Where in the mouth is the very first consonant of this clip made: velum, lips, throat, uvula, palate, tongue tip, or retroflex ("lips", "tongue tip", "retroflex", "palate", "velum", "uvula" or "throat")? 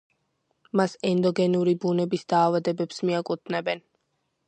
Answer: lips